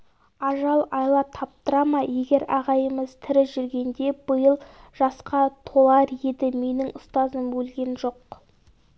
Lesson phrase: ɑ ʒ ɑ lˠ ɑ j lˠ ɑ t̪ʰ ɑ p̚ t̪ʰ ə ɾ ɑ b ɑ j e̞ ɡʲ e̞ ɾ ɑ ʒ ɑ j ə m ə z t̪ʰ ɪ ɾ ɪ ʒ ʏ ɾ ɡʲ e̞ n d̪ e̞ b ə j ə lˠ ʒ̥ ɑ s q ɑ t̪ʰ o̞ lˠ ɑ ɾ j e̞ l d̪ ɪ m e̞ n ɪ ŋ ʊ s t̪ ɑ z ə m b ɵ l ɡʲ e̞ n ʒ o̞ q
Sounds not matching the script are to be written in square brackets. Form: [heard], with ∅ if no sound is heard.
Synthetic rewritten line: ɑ ʒ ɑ lˠ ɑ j lˠ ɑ t̪ʰ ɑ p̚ [t̪] ə ɾ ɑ [m] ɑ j e̞ ɡʲ e̞ ɾ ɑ [ʁ] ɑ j ə m ə z t̪ʰ ɪ ɾ ɪ ʒ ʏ ɾ ɡʲ e̞ n d̪ e̞ b ə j ə lˠ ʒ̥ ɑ s q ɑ t̪ʰ o̞ lˠ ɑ ɾ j e̞ [∅] d̪ ɪ m e̞ n ɪ ŋ ʊ s t̪ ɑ z ə m b ɵ l ɡʲ e̞ n ʒ o̞ q